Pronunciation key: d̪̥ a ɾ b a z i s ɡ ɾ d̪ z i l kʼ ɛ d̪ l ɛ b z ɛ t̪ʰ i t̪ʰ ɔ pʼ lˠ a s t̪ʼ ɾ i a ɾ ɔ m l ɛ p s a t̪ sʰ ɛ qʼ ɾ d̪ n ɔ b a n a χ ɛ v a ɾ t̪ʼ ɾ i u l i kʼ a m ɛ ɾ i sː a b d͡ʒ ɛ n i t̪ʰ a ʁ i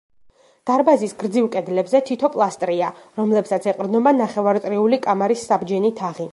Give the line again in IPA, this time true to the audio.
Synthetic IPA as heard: d̪̥ a ɾ b a z i s ɡ ɾ d̪ z i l kʼ ɛ d̪ l ɛ b z ɛ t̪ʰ i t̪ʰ ɔ pʼ lˠ a s t̪ʼ ɾ i a ɾ ɔ m l ɛ p s a t̪ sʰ ɛ qʼ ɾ d̪ n ɔ b a n a χ ɛ v a ɾ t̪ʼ ɾ i u l i kʼ a m a ɾ i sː a b d͡ʒ ɛ n i t̪ʰ a ʁ i